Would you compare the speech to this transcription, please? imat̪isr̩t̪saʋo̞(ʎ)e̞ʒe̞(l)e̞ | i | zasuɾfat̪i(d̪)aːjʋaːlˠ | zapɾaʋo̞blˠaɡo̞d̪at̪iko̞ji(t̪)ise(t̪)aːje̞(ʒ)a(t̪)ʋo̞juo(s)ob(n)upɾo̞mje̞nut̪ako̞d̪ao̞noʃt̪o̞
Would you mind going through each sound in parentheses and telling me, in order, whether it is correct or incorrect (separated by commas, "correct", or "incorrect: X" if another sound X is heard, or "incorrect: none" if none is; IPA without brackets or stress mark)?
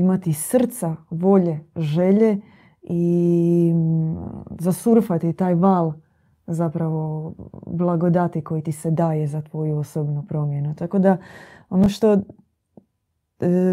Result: correct, incorrect: ʎ, incorrect: t̪, correct, incorrect: d̪, incorrect: z, correct, correct, correct